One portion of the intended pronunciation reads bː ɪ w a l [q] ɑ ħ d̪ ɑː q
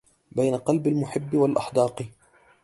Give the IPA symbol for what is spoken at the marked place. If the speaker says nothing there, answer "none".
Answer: ʔ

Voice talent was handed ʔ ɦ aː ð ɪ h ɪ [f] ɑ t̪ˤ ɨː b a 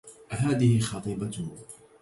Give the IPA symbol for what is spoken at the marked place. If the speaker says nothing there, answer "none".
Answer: x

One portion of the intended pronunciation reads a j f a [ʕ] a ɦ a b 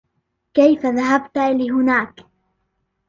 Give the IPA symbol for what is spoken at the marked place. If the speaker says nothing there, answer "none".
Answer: ð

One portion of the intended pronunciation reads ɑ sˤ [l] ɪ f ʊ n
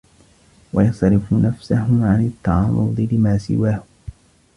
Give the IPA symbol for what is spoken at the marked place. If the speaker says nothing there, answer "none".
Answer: ɾ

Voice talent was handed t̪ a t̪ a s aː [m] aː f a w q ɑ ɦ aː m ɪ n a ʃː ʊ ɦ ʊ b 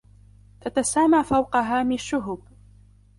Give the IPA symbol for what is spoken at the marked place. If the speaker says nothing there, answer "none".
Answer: m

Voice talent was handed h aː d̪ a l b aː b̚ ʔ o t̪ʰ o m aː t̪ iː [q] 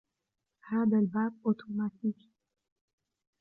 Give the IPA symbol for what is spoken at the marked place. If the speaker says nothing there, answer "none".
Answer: k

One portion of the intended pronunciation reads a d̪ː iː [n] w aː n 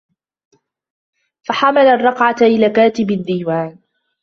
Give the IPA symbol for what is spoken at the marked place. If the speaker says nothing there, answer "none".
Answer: none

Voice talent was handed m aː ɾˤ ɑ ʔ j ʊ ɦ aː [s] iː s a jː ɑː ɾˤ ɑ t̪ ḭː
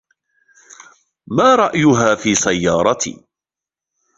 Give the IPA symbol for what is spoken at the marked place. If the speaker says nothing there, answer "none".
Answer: f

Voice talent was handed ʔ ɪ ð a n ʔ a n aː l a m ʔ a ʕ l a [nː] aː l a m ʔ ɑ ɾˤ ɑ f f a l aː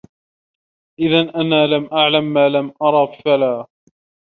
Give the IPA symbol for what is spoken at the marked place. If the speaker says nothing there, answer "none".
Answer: mː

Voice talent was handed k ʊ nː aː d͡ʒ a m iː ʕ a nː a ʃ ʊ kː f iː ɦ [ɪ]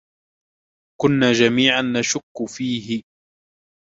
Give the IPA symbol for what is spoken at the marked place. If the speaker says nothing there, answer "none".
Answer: ɪ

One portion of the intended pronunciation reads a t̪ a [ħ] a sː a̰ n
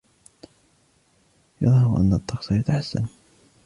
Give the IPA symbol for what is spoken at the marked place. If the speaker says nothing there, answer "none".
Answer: ħ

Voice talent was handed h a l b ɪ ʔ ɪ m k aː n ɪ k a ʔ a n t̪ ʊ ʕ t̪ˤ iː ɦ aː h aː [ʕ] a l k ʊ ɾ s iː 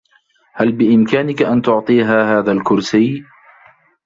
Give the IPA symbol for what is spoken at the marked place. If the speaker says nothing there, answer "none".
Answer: ð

